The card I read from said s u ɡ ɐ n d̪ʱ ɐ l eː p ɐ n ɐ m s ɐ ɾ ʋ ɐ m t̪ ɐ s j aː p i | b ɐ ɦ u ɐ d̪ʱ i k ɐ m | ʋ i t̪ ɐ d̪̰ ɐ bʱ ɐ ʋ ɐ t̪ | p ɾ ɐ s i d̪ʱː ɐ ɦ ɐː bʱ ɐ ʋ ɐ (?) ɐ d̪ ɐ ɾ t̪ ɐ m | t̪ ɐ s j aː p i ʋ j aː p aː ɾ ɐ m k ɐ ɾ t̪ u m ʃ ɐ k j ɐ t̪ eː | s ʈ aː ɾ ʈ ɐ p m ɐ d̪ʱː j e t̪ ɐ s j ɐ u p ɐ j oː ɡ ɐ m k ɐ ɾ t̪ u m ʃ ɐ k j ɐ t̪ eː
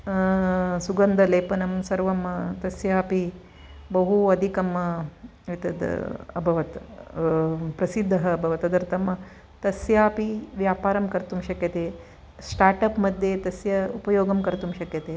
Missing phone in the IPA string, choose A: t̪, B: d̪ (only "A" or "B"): A